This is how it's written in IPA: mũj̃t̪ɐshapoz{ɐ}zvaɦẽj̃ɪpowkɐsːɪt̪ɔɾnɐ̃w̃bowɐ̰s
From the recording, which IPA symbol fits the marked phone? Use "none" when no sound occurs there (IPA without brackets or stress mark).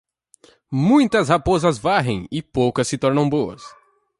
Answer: ɐ